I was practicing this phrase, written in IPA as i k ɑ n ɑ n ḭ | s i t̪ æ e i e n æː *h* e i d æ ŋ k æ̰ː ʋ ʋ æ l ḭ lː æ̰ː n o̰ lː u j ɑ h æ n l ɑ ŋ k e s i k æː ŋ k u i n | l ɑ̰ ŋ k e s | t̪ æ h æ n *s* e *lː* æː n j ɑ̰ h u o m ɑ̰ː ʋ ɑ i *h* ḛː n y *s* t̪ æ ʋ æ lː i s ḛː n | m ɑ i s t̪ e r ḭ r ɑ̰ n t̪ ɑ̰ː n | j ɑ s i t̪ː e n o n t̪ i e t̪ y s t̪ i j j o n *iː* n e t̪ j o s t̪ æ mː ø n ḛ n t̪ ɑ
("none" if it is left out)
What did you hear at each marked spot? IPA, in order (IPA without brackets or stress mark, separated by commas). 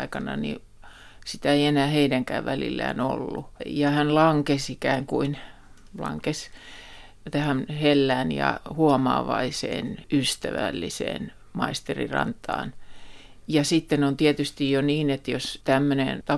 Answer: h, h, lː, s, s, iː